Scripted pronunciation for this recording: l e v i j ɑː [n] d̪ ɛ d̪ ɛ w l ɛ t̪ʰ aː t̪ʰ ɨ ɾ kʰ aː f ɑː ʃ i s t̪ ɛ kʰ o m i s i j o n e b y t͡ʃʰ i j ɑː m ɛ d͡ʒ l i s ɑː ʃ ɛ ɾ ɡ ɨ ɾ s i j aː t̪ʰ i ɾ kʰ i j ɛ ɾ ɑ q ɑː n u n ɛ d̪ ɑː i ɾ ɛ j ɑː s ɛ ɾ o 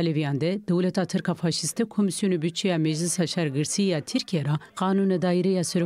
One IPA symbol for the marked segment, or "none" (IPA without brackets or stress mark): n